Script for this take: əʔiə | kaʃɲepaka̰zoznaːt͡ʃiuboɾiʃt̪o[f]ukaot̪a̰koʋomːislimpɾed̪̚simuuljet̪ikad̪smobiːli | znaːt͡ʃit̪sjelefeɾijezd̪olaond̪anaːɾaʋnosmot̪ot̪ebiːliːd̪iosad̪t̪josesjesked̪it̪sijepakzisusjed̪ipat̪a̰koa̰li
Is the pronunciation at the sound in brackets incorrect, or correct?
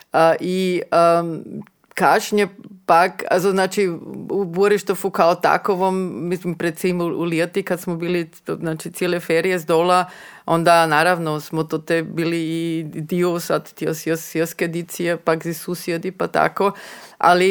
correct